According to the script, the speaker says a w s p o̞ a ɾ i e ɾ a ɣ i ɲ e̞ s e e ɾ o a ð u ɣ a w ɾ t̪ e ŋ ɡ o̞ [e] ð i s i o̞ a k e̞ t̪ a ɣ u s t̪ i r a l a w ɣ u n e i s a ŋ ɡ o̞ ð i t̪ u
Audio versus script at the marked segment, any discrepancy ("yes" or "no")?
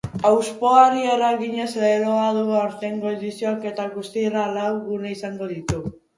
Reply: no